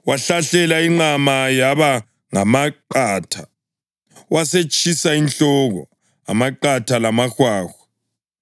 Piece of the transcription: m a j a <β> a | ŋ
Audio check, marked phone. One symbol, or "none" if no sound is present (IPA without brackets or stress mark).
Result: β